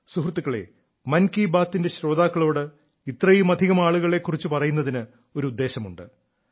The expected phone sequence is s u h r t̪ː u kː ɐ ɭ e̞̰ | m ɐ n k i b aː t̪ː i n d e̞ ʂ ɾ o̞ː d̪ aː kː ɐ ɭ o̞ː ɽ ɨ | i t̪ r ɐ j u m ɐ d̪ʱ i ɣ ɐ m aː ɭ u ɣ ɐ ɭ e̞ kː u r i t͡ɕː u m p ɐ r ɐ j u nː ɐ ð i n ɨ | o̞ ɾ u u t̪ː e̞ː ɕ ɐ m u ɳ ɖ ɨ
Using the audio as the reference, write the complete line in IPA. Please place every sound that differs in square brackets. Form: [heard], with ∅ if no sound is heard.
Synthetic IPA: s u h r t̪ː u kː ɐ ɭ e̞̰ | m ɐ n k i b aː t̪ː i n d e̞ [ɕ] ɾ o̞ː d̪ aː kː ɐ ɭ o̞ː ɽ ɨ | i t̪ r ɐ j u m ɐ d̪ʱ i ɣ ɐ m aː ɭ u ɣ ɐ ɭ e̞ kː u r i t͡ɕː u [∅] p ɐ r ɐ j u nː ɐ ð i n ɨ | o̞ ɾ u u [d̪ː] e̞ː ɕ ɐ m u ɳ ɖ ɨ